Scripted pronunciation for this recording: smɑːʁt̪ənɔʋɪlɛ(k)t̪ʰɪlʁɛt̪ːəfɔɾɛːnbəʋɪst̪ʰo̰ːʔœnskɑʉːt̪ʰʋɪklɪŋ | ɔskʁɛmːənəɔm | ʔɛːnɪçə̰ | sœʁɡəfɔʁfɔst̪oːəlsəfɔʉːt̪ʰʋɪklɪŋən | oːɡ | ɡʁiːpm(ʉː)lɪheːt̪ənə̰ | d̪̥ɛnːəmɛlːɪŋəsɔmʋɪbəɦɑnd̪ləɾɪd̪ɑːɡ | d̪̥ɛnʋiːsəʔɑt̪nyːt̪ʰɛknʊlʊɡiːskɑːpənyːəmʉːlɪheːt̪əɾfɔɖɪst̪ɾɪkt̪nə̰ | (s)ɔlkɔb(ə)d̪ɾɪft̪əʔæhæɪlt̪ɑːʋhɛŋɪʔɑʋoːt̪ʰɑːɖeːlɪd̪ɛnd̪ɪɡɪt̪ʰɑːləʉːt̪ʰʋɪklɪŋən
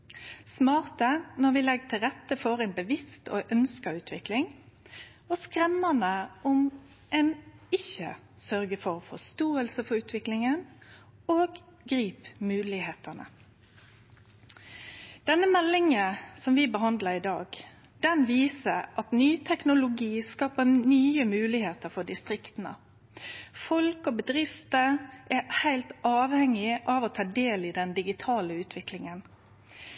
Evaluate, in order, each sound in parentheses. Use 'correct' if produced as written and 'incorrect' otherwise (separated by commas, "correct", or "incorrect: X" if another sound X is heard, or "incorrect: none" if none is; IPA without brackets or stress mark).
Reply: incorrect: ɡ, correct, incorrect: f, correct